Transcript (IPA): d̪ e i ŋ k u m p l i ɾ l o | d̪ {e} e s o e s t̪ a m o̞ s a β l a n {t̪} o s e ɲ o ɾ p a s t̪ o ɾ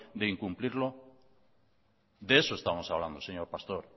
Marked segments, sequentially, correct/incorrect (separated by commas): correct, incorrect